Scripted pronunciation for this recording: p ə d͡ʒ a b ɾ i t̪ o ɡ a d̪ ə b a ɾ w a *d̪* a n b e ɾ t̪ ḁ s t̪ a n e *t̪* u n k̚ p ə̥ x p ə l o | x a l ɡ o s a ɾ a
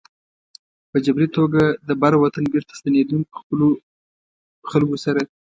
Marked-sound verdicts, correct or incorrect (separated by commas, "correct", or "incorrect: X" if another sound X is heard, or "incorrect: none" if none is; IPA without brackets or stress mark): incorrect: t̪, incorrect: d̪